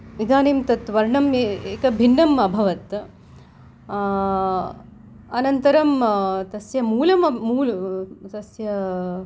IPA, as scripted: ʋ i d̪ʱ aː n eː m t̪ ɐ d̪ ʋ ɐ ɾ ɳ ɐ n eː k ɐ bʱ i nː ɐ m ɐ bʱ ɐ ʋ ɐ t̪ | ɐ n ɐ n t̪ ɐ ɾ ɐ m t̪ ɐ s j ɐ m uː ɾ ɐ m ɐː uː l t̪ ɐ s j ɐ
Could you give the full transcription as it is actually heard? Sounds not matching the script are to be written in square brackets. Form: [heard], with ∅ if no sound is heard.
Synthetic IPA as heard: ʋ i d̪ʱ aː n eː m t̪ ɐ [t̪] ʋ ɐ ɾ ɳ ɐ [m] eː k ɐ bʱ i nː ɐ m ɐ bʱ ɐ ʋ ɐ t̪ | ɐ n ɐ n t̪ ɐ ɾ ɐ m t̪ ɐ s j ɐ m uː [l] ɐ m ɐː uː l t̪ ɐ s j ɐ